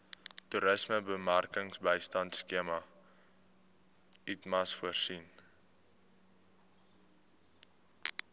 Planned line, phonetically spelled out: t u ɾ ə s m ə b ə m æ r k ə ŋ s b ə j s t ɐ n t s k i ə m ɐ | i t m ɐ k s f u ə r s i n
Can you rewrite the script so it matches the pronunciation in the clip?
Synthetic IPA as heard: t u ɾ ə s m ə b ə m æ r k ə ŋ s b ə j s t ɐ n t s k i ə m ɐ | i t m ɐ s f u ə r s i n